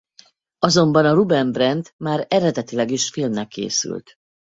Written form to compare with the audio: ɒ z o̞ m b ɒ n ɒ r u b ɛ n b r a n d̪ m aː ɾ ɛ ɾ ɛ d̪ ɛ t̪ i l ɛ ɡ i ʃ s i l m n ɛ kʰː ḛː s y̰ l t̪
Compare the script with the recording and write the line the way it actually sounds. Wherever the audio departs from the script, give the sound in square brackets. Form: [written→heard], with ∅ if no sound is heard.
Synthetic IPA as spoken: ɒ z o̞ m b ɒ n ɒ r u b ɛ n b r [a→ɛ] n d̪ m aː ɾ ɛ ɾ ɛ d̪ ɛ t̪ i l ɛ ɡ i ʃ [s→f] i l m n ɛ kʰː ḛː s y̰ l t̪